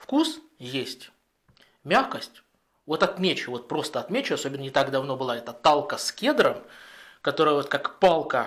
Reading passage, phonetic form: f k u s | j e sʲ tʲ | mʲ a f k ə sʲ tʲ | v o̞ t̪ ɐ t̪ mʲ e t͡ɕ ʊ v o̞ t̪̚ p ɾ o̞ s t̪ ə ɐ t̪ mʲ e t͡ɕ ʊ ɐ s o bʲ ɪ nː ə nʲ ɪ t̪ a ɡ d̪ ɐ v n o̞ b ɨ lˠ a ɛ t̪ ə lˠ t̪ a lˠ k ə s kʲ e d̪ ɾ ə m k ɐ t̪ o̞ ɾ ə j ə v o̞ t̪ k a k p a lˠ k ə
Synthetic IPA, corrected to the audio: f k u s | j e sʲ tʲ | mʲ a x k ə sʲ tʲ | v o̞ t̪ ɐ t̪ mʲ e t͡ɕ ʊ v o̞ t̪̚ p ɾ o̞ s t̪ ə ɐ t̪ mʲ e t͡ɕ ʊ ɐ s o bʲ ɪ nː ə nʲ ɪ t̪ a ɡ d̪ ɐ v n o̞ b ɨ lˠ a ɛ t̪ ə t̪ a lˠ k ə s kʲ e d̪ ɾ ə m k ɐ t̪ o̞ ɾ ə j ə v o̞ t̪ k a k p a lˠ k ə